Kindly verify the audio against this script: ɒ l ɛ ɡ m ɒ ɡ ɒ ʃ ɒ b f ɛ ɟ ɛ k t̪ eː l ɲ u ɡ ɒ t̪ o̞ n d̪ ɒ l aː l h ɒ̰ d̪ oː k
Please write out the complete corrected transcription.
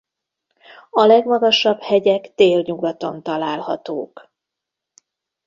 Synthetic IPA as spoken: ɒ l ɛ ɡ m ɒ ɡ ɒ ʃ ɒ b h ɛ ɟ ɛ k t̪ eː l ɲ u ɡ ɒ t̪ o̞ n t̪ ɒ l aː l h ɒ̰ t̪ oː k